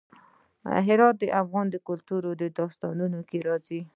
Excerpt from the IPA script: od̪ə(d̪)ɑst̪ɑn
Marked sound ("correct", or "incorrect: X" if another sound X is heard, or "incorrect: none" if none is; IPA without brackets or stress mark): correct